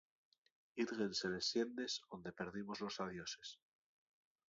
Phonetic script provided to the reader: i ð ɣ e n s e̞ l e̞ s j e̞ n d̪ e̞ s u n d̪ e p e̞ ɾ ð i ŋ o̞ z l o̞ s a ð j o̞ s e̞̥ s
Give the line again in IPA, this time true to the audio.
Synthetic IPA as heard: i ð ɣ e n s e̞ l e̞ s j e̞ n d̪ e̞ s o n d̪ e p e̞ ɾ ð i m o̞ z l o̞ s a ð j o̞ s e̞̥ s